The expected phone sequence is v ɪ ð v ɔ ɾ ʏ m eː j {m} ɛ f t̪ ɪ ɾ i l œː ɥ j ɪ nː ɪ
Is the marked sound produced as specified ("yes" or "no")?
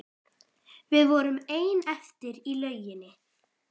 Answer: no